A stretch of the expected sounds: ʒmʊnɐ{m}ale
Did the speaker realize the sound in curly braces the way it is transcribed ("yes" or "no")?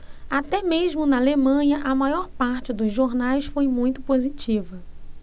no